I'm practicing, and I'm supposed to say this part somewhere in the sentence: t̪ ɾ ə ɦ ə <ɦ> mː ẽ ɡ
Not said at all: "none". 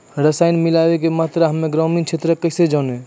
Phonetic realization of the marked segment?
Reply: none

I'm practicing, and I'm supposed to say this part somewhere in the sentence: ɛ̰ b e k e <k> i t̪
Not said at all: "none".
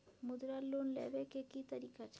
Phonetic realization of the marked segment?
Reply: k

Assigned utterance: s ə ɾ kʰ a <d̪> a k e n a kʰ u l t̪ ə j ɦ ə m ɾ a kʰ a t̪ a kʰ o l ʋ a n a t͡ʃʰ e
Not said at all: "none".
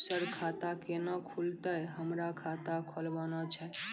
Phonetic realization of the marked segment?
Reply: t̪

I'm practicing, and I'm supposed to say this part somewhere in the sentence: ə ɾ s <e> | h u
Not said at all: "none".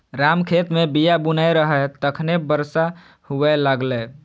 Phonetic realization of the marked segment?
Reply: a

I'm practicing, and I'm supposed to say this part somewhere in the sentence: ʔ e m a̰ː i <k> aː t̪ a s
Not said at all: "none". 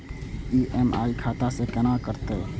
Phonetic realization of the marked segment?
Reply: kʰ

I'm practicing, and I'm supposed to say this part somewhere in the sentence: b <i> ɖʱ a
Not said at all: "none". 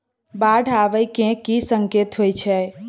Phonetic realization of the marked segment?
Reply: a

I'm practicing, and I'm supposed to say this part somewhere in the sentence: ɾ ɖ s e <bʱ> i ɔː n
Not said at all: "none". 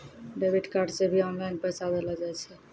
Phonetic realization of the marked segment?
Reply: bʱ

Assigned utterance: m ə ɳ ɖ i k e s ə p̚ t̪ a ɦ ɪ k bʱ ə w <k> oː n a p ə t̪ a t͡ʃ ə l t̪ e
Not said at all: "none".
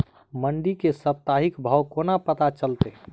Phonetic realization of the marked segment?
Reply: k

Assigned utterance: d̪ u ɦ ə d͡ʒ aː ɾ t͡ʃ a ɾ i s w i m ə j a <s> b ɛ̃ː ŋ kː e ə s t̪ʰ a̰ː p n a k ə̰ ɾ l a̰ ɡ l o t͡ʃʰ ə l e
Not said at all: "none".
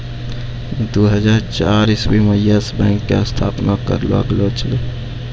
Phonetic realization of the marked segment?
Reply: s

